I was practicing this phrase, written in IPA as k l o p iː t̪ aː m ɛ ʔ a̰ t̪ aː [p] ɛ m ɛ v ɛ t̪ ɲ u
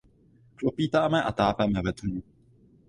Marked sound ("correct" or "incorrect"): correct